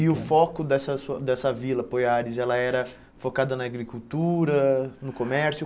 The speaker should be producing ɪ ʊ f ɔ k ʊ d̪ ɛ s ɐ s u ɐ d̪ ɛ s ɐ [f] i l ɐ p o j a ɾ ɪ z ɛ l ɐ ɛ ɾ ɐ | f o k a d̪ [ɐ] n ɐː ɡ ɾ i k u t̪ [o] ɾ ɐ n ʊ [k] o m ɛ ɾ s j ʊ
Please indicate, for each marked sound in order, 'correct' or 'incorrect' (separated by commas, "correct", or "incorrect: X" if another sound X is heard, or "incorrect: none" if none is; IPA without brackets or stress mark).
incorrect: v, correct, incorrect: u, correct